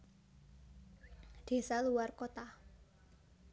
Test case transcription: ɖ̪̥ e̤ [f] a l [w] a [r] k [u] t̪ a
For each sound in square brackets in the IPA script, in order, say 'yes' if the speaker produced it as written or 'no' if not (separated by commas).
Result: no, no, yes, no